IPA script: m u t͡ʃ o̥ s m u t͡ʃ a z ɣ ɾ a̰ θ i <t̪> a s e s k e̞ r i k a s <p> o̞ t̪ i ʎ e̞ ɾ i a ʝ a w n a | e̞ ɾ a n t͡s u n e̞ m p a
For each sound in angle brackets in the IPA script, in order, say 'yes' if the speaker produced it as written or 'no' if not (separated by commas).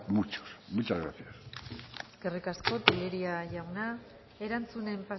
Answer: no, no